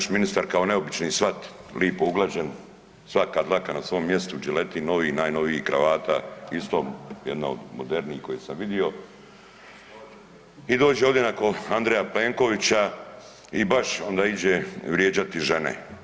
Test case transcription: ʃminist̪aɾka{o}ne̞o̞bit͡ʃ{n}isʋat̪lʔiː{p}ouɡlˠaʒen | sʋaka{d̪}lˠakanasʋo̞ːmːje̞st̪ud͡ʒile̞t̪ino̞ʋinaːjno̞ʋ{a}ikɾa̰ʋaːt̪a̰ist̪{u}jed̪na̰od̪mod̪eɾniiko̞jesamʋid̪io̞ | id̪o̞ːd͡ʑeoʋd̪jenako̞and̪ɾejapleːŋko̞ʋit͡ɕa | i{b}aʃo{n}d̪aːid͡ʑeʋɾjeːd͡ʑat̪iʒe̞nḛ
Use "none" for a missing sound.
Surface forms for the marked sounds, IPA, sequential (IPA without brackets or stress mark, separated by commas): o, n, p, d̪, i, o, b, n